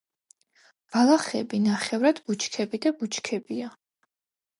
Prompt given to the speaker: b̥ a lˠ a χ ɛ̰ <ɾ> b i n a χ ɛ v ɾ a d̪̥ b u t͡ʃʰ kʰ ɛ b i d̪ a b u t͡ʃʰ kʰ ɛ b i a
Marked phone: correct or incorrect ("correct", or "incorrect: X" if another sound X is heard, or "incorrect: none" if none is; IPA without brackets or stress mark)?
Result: incorrect: none